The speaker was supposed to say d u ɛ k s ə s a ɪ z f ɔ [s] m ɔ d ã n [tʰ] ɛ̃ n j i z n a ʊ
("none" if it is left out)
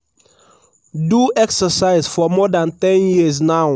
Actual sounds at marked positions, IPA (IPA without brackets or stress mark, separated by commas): none, t